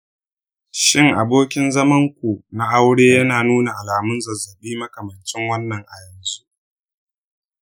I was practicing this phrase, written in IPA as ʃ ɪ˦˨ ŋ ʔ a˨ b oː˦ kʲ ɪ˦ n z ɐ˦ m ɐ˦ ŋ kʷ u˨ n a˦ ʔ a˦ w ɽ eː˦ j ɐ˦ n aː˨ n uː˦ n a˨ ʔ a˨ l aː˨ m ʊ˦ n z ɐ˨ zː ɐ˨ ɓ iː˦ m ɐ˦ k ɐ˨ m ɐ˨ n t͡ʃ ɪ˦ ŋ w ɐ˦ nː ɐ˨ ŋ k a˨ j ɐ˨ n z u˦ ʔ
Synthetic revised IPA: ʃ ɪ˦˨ ŋ ʔ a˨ b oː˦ kʲ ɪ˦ n z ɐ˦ m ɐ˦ ŋ kʷ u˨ n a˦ ʔ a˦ w ɽ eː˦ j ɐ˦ n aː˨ n uː˦ n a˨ ʔ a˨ l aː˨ m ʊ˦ n z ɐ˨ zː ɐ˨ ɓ iː˦ m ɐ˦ k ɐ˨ m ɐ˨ n t͡ʃ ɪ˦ ŋ w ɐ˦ nː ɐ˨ ŋ ʔ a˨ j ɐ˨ n z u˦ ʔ